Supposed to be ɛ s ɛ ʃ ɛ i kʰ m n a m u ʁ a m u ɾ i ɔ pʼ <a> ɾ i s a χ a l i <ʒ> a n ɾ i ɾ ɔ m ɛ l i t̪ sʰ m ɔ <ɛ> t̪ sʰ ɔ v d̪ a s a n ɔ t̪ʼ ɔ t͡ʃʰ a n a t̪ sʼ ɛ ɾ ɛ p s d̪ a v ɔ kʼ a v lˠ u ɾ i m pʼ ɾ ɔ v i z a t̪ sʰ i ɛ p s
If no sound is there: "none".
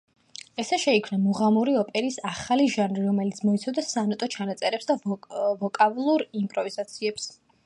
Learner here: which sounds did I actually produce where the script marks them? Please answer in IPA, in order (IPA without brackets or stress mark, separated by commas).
ɛ, ʒ, i